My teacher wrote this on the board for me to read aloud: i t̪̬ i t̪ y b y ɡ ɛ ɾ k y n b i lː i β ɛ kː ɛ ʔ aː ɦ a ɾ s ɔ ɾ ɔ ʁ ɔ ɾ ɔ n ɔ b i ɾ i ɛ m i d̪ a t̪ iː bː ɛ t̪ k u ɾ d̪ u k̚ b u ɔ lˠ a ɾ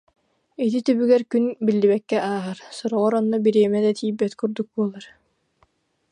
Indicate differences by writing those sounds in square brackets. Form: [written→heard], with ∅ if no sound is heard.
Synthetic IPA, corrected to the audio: i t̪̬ i t̪ y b y ɡ ɛ ɾ k y n b i lː i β ɛ kː ɛ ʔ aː ɦ a ɾ s ɔ ɾ ɔ ʁ ɔ ɾ ɔ [n→nː] ɔ b i ɾ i ɛ m [i→ɛ] d̪ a t̪ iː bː ɛ t̪ k u ɾ d̪ u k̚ b u ɔ lˠ a ɾ